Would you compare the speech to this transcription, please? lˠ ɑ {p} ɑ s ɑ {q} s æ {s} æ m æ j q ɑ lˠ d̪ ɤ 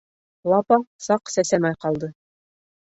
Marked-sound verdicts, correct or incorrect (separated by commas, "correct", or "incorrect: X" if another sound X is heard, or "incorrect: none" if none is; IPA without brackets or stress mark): correct, correct, correct